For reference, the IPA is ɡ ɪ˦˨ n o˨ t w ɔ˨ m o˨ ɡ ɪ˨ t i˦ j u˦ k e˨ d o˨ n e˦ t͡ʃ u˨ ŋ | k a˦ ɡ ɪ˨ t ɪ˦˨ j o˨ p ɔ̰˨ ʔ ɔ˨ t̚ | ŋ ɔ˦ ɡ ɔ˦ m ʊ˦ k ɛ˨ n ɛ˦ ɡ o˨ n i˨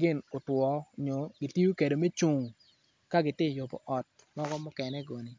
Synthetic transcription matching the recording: ɡ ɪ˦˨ n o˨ t w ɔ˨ ɲ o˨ ɡ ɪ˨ t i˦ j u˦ k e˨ d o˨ m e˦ t͡ʃ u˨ ŋ | k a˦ ɡ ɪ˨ t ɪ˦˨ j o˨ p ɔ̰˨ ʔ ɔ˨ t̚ | m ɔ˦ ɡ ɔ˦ m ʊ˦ k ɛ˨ n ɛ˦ ɡ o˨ n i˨